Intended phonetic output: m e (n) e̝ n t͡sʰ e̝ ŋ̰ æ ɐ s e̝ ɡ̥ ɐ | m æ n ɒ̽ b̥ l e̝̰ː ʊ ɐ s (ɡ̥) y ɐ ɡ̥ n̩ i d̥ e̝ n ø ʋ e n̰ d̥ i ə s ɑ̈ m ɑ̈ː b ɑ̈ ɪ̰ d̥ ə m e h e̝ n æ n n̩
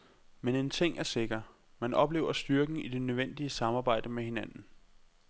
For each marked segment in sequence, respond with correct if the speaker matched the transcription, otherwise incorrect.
correct, incorrect

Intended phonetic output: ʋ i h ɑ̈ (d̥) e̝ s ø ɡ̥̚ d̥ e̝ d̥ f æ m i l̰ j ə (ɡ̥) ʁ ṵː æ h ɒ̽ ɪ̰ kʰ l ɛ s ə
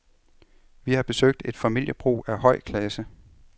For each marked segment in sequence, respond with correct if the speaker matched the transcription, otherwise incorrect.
incorrect, incorrect

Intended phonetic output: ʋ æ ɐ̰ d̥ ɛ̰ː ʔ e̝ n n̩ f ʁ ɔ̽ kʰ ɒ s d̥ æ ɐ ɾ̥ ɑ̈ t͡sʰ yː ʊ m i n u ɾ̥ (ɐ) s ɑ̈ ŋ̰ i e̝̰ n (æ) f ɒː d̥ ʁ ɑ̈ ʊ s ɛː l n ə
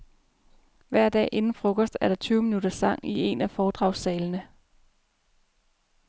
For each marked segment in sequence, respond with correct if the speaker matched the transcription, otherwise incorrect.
correct, correct

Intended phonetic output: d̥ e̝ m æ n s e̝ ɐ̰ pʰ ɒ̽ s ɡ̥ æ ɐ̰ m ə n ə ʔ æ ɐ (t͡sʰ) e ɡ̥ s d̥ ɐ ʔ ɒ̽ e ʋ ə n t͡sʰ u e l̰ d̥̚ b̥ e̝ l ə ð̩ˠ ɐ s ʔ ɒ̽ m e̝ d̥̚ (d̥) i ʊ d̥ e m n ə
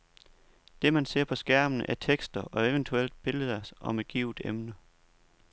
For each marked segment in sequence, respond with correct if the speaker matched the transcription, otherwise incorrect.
correct, incorrect

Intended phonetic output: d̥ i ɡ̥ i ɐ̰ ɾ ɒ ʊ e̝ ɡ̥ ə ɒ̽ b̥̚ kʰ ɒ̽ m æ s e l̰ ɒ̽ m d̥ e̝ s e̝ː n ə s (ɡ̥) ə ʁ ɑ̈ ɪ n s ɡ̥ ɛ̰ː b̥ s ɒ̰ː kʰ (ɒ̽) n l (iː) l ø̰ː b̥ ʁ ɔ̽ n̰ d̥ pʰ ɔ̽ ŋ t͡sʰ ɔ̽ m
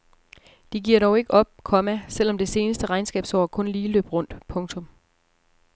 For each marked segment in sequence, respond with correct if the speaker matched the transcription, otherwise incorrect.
incorrect, incorrect, correct

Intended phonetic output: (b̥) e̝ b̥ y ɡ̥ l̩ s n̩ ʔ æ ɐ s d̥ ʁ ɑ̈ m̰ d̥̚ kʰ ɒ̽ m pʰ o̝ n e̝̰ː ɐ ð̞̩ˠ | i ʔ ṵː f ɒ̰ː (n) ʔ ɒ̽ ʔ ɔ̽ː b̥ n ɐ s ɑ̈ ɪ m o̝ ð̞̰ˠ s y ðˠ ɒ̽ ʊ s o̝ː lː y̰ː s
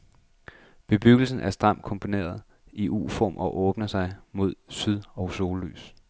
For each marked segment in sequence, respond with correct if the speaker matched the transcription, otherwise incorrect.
correct, incorrect

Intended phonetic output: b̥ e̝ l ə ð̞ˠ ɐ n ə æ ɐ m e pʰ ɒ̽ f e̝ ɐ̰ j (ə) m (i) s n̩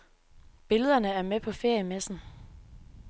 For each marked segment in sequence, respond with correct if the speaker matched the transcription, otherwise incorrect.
correct, incorrect

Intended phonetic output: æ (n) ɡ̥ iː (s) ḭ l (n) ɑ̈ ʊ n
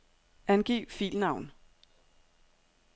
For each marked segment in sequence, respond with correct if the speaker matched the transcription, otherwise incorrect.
correct, incorrect, correct

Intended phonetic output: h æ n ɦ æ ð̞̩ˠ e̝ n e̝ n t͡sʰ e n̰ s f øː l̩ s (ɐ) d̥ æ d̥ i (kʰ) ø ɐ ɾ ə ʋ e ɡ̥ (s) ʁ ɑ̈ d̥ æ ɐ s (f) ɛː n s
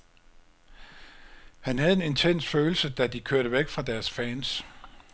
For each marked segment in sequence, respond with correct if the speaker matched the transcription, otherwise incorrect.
incorrect, correct, incorrect, correct

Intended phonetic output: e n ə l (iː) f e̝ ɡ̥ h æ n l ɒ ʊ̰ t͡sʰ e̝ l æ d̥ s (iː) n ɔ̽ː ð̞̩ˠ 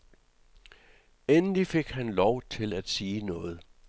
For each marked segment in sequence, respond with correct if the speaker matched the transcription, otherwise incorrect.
incorrect, correct

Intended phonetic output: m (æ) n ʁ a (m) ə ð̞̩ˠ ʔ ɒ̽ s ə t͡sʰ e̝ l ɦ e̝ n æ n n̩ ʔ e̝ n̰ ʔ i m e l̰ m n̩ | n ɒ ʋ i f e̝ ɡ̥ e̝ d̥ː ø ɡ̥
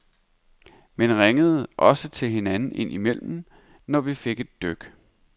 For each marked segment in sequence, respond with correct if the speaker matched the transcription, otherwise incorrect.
incorrect, incorrect

